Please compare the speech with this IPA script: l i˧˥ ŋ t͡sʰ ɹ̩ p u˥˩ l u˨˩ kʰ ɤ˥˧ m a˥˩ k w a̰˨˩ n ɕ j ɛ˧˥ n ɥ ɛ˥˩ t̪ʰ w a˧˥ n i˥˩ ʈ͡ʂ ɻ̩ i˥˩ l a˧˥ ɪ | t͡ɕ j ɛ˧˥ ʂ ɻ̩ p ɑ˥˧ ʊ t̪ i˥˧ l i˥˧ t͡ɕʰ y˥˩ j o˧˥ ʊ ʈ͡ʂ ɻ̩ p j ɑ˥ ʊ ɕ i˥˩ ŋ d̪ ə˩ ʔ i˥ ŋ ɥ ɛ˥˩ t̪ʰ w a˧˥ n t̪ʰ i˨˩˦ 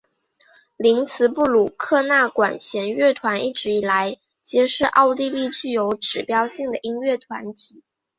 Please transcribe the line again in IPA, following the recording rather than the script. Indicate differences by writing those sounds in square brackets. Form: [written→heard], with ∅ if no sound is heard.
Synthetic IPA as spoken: l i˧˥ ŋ t͡sʰ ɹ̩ p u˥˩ l u˨˩ kʰ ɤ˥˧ [m→n] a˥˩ k w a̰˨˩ n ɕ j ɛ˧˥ n ɥ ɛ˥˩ t̪ʰ w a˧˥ n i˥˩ ʈ͡ʂ ɻ̩ [i˥˩→i˨˩] l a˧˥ ɪ | t͡ɕ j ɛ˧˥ ʂ ɻ̩ [p→ʔ] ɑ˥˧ ʊ t̪ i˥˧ l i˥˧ [t͡ɕʰ→t͡ɕ] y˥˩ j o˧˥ ʊ ʈ͡ʂ ɻ̩ p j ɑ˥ ʊ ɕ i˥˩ ŋ d̪ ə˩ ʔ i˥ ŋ ɥ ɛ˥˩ t̪ʰ w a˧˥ n t̪ʰ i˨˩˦